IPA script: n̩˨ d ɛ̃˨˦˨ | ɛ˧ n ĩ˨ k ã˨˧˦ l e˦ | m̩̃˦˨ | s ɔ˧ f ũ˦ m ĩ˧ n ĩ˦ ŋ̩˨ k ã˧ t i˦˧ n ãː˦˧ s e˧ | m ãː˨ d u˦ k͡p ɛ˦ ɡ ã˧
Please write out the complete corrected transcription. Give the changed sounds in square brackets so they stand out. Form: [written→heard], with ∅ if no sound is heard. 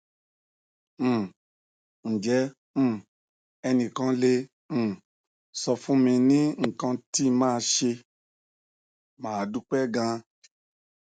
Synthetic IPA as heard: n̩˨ [d→d͡ʒ] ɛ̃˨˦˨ | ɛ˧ n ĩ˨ k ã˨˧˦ l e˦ | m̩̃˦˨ | s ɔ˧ f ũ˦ m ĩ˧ n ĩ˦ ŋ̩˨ k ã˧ t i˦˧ [n→m] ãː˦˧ [s→ʃ] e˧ | m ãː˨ d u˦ k͡p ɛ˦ ɡ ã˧

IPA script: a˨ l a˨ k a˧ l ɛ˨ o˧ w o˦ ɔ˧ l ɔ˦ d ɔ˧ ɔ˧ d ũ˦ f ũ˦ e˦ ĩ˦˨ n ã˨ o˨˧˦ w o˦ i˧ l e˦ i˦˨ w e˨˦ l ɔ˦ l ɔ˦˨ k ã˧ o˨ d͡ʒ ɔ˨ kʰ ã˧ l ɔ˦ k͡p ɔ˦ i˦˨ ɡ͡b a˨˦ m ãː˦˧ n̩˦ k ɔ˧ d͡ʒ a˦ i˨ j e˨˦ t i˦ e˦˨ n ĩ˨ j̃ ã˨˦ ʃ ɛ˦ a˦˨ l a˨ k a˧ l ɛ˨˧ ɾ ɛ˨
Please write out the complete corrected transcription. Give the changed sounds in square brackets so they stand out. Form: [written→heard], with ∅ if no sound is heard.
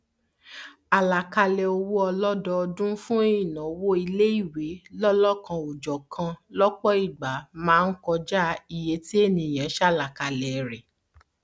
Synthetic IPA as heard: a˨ l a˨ k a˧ l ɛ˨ o˧ w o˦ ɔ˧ l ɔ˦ d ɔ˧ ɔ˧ d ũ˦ f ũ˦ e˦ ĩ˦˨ n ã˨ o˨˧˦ w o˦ i˧ l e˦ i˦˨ w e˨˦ l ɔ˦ l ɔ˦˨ k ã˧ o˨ d͡ʒ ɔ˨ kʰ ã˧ l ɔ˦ k͡p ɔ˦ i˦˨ ɡ͡b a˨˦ m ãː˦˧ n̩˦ k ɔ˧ d͡ʒ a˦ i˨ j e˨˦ t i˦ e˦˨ n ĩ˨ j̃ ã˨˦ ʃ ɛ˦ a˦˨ l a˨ k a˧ l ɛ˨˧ ɾ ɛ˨

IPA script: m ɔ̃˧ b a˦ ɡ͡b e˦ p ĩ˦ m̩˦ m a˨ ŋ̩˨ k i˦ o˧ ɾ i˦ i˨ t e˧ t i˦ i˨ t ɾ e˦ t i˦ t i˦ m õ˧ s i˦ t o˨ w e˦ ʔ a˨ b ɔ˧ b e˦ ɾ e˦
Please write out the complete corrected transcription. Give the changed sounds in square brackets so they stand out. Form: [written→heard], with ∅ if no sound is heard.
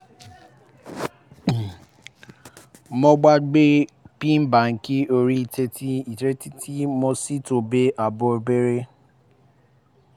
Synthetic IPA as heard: m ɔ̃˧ [b→ɡ͡b] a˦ ɡ͡b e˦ p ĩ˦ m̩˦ [m→b] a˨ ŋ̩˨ k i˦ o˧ ɾ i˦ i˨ t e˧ t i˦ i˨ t ɾ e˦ t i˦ t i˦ m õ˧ s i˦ t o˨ [w→b] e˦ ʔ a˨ b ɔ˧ b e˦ ɾ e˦

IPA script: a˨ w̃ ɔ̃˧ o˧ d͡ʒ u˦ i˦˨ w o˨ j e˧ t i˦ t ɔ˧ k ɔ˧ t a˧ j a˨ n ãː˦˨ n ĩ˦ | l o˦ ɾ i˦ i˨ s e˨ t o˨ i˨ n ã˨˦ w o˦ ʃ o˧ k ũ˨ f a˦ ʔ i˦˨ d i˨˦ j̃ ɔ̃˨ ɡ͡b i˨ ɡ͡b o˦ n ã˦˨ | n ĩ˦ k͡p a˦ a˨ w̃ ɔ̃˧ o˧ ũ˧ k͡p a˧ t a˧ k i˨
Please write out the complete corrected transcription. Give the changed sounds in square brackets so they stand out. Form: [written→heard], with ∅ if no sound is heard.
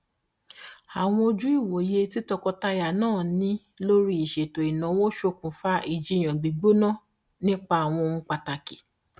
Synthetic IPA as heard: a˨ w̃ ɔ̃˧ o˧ d͡ʒ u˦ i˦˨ w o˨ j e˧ t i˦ t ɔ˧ k ɔ˧ t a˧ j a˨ n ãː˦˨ n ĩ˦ | l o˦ ɾ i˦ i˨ [s→ʃ] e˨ t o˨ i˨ n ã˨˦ w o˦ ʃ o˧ k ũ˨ f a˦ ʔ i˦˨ [d→d͡ʒ] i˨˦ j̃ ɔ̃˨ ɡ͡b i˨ ɡ͡b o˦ n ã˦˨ | n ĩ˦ k͡p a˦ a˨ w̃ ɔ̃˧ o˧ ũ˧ k͡p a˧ t a˧ k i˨

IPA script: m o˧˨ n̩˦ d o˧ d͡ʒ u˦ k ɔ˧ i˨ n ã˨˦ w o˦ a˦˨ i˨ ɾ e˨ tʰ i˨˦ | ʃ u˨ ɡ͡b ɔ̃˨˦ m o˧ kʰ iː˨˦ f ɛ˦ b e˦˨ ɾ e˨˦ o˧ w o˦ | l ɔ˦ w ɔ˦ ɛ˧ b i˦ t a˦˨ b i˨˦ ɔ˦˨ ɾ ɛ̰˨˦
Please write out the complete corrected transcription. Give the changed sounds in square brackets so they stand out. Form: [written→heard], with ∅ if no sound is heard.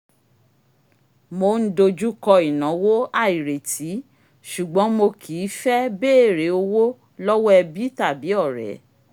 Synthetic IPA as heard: m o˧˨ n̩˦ d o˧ d͡ʒ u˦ k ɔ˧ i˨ n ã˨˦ w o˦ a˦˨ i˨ ɾ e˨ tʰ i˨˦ | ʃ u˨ ɡ͡b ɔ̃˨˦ m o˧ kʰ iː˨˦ f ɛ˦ b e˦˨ ɾ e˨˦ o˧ w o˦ | l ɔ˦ w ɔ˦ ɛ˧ b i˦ t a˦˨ b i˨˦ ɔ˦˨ ɾ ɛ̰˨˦

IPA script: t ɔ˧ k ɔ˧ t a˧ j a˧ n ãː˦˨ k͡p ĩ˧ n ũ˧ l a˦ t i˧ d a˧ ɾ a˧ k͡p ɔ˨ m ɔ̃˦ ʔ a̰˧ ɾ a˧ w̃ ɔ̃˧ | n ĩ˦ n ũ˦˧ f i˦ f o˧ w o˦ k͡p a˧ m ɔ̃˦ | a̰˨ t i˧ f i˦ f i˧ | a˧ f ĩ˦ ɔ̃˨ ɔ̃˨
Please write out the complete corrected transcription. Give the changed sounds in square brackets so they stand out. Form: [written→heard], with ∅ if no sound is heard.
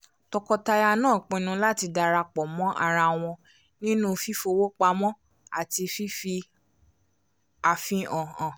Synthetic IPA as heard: t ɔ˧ k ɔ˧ t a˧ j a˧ n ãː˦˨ k͡p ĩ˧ n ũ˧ l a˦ t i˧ d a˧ ɾ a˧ k͡p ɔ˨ m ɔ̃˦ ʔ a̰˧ ɾ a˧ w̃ ɔ̃˧ | n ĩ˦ n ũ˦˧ f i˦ f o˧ w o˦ k͡p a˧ m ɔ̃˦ | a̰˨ t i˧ f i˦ f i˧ | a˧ f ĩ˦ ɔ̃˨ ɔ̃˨

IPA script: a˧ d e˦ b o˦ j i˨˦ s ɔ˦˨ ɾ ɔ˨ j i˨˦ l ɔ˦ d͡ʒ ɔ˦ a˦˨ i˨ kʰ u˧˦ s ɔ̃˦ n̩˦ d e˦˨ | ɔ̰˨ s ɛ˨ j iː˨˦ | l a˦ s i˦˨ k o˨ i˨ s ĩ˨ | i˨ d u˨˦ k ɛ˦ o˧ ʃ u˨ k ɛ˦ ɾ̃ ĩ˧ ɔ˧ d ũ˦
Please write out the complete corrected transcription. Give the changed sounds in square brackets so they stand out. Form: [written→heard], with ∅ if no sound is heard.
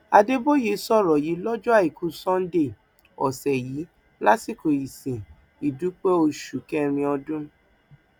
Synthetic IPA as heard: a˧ d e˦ b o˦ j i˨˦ s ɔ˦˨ ɾ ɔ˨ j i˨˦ l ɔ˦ d͡ʒ ɔ˦ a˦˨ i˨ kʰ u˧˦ s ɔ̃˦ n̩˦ d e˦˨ | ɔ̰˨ s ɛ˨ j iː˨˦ | l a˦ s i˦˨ k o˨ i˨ s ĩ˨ | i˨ d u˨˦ [k→k͡p] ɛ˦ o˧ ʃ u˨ k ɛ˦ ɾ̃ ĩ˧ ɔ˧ d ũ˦

